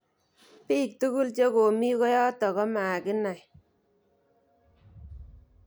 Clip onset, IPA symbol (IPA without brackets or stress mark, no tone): p